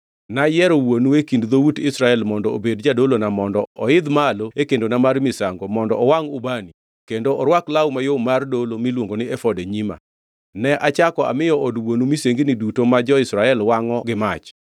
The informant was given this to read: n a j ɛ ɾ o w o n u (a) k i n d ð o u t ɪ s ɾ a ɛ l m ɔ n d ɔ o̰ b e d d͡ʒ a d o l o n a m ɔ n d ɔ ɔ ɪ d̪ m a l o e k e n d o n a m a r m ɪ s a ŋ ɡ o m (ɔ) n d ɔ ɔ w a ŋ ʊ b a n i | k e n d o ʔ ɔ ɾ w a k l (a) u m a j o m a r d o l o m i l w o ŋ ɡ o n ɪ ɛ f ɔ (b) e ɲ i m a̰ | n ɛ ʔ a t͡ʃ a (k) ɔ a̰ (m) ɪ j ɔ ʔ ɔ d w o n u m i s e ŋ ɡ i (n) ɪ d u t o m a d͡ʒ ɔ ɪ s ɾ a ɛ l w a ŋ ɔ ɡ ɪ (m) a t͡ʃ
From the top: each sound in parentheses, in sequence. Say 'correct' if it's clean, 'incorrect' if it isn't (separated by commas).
incorrect, correct, correct, incorrect, correct, correct, correct, correct